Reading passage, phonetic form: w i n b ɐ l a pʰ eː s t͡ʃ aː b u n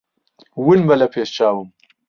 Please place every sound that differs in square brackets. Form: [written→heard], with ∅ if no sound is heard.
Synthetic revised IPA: w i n b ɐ l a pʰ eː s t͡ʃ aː [b→w] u [n→m]